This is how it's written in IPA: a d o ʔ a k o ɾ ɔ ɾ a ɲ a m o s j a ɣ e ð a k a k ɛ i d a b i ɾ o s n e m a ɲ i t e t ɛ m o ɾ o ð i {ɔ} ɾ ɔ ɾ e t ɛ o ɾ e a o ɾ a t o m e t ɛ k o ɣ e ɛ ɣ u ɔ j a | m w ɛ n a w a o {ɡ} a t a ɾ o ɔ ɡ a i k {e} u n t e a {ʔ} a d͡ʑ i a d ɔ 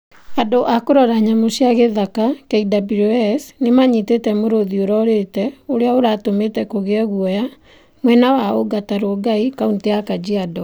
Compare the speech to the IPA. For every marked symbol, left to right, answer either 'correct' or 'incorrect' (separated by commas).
incorrect, correct, incorrect, incorrect